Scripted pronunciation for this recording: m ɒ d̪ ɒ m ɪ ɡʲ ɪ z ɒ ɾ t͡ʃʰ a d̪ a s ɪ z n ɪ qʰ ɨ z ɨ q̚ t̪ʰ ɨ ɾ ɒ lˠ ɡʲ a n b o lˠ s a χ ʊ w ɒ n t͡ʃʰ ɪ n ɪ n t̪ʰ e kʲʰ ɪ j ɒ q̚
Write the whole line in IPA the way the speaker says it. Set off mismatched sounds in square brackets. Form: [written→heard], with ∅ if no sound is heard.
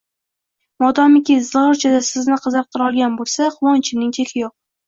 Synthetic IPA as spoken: m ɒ d̪ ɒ m ɪ [ɡʲ→kʲ] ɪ z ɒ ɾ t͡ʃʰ a d̪ a s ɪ z n ɪ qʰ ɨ z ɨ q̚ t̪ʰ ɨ ɾ ɒ lˠ ɡʲ a n b o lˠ s a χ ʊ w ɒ n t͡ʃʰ ɪ n ɪ [n→ŋ] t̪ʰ e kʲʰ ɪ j [ɒ→o] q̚